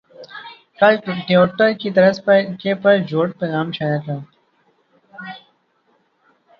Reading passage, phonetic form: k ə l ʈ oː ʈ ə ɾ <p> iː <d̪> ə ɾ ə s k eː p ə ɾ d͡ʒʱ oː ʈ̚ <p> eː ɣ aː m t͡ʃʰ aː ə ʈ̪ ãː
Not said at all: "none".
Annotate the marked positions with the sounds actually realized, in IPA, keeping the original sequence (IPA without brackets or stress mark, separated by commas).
k, t̪, p